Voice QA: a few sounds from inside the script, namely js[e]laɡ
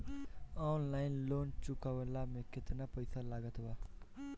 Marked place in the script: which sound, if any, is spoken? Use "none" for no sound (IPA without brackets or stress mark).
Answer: a